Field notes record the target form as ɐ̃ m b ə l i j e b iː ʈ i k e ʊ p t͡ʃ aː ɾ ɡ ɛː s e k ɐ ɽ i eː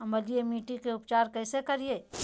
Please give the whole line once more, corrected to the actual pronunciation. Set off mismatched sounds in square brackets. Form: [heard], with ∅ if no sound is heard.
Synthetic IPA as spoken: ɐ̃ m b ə l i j e [m] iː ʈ i k e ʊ p t͡ʃ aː ɾ [k] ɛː s e k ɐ [ɾ] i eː